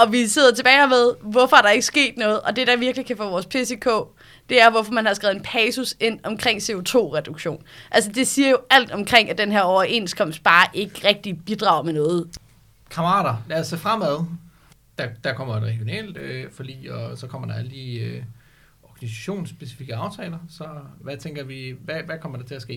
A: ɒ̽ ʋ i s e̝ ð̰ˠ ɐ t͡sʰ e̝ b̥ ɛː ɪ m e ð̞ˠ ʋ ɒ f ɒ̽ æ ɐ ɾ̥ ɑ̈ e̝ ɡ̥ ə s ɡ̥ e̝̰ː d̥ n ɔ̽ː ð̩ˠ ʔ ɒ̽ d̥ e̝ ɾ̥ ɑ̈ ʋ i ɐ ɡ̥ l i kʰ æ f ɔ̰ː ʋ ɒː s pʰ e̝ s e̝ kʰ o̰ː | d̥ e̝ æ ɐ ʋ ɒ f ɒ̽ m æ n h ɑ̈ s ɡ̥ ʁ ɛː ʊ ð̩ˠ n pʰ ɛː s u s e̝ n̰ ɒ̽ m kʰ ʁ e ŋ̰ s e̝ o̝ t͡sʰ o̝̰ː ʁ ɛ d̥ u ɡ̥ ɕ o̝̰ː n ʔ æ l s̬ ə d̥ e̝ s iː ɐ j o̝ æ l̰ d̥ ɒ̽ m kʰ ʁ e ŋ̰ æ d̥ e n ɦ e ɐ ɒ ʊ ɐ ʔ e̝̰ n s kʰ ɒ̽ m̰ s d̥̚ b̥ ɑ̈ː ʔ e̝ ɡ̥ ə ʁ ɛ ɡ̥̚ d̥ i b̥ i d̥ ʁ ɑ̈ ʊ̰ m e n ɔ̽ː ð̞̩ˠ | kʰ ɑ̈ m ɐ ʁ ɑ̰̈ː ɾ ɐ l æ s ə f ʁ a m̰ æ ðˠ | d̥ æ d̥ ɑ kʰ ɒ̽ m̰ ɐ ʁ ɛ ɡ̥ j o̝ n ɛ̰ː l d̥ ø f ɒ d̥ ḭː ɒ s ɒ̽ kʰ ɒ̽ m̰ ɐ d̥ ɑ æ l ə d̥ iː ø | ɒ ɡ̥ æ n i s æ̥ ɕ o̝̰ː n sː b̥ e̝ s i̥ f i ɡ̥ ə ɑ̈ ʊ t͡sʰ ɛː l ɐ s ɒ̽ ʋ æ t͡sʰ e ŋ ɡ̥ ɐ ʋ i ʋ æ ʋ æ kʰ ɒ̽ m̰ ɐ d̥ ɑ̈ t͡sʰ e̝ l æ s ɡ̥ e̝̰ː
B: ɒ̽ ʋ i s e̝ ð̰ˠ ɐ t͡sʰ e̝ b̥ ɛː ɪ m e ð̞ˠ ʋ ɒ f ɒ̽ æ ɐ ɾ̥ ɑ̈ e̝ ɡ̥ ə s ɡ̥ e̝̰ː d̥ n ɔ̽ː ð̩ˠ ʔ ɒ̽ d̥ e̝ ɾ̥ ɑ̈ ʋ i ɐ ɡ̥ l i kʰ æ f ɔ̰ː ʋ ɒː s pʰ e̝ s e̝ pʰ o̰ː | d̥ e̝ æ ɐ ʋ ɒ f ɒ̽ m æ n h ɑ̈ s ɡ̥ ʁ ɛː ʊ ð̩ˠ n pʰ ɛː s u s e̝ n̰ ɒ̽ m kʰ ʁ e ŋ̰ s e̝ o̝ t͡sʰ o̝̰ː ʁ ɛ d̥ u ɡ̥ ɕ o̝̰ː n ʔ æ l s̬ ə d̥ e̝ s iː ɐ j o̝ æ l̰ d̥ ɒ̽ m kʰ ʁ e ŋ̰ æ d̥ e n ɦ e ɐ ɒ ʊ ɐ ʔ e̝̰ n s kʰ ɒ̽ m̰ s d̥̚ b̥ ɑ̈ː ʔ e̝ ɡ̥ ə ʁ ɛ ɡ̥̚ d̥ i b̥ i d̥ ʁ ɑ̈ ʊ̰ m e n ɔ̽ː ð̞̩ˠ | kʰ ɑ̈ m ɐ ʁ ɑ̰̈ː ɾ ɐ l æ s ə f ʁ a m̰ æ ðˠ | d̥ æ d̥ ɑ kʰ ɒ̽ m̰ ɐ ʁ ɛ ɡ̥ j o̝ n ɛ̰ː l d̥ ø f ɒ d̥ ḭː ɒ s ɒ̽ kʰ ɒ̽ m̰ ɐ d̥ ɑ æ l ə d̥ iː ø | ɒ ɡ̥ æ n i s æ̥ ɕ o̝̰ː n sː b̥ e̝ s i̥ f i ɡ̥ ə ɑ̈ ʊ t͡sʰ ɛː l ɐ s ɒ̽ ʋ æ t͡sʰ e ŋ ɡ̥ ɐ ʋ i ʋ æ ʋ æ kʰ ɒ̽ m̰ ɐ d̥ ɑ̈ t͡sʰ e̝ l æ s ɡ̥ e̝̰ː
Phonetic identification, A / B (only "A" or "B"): A